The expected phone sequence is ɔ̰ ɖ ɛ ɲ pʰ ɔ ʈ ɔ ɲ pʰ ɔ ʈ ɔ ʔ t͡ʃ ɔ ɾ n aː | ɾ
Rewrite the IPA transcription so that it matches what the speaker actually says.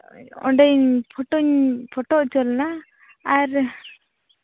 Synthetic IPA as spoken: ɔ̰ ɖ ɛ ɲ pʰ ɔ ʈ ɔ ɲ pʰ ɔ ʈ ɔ ʔ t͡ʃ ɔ l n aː | ɾ